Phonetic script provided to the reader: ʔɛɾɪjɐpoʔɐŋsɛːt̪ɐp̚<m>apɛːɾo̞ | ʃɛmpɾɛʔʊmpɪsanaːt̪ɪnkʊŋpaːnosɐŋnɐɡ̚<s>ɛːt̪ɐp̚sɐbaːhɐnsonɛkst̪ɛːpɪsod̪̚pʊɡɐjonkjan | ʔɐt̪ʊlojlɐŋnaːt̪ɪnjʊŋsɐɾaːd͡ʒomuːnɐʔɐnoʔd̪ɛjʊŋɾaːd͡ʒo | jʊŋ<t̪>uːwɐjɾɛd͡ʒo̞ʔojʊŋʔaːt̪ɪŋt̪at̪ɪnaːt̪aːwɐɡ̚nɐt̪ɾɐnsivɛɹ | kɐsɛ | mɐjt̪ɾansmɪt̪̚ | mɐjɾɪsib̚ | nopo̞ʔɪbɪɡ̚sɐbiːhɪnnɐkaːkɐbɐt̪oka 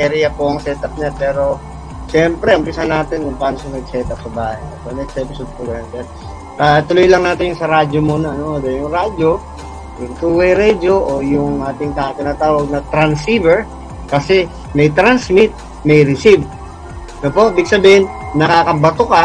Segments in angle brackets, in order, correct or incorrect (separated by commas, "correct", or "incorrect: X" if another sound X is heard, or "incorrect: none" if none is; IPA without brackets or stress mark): incorrect: ɲ, correct, correct